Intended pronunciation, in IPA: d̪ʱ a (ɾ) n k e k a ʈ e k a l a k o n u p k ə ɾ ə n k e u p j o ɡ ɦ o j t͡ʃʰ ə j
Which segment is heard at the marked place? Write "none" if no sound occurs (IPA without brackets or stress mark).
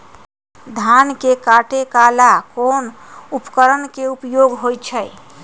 none